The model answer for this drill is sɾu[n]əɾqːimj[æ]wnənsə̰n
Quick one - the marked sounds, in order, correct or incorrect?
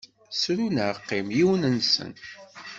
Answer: correct, incorrect

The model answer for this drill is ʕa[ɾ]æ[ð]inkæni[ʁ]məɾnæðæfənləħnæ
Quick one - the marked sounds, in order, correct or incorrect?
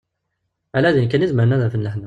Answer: incorrect, correct, incorrect

